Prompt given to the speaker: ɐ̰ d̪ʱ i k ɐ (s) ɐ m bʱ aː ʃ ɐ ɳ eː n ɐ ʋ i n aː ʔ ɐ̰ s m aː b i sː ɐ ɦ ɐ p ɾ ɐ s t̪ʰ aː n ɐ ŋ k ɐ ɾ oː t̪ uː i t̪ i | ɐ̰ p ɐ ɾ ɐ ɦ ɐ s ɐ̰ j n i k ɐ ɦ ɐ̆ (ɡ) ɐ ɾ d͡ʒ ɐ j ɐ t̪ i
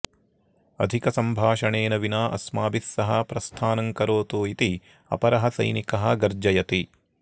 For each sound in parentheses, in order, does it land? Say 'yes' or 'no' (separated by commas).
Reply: yes, yes